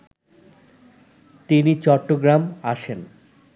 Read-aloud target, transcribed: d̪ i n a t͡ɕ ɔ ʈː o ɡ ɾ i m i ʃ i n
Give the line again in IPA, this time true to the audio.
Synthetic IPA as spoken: t̪ i n i t͡ɕ ɔ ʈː o ɡ ɾ a m a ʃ e n